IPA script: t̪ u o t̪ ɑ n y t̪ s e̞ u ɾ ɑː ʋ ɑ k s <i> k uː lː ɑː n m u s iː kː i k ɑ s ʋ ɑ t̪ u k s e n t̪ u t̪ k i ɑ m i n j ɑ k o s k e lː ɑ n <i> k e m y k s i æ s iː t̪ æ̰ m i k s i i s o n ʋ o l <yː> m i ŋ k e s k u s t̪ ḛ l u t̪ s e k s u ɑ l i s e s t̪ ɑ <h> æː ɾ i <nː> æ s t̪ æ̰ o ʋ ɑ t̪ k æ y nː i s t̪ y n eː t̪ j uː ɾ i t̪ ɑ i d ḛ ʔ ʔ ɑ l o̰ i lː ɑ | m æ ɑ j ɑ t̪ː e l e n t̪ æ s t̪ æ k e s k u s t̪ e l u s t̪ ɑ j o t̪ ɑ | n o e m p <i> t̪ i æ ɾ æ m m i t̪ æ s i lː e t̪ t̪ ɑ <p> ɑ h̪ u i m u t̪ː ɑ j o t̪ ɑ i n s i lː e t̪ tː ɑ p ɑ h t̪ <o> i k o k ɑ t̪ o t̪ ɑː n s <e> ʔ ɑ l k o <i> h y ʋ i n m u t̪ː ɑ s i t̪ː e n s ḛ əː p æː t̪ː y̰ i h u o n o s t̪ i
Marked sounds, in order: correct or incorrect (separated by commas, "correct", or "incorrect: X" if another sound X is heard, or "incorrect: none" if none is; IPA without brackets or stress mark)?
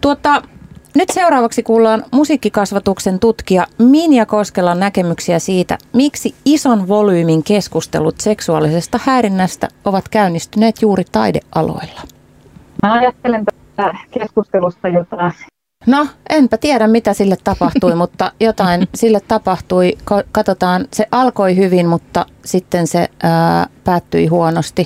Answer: correct, incorrect: æ, correct, correct, correct, incorrect: æ, correct, incorrect: u, correct, correct